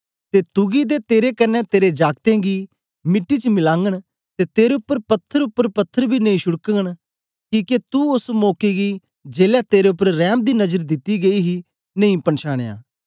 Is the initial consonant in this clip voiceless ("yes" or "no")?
yes